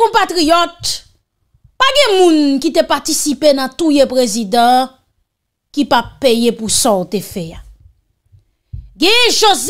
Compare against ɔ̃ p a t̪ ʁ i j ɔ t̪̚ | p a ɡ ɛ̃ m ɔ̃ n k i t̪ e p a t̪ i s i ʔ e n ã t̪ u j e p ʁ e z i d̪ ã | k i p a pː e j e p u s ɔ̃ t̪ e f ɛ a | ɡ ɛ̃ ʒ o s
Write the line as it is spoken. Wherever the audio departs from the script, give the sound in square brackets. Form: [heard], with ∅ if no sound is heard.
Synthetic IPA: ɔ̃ p a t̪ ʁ i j ɔ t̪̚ | p a ɡ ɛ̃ m [ũ] n k i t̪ e p a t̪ i s i [p] e n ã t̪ u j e p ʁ e z i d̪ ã | k i p a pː e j e p u s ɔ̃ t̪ e f ɛ a | ɡ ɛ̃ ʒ o [z]